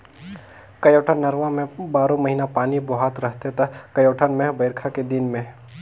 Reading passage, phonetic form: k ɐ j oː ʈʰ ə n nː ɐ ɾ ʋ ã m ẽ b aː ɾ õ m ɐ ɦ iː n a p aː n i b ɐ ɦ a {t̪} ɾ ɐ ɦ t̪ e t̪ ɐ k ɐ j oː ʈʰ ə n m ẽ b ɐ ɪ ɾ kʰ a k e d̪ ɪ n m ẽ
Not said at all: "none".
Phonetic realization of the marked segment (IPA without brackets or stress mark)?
t̪